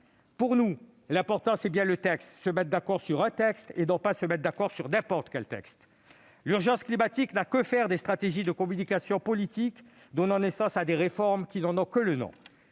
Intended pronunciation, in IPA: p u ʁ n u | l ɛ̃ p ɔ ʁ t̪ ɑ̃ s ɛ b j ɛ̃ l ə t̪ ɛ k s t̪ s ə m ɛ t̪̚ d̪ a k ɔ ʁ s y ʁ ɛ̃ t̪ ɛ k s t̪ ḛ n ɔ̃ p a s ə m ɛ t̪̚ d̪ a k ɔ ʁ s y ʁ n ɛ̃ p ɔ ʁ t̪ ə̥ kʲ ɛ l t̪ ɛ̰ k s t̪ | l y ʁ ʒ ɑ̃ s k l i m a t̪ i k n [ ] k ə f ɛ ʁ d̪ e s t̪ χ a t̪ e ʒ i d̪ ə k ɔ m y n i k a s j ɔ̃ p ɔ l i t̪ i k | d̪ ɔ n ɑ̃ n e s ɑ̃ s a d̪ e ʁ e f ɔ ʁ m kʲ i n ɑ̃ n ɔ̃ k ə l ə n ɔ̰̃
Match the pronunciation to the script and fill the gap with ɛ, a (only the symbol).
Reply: a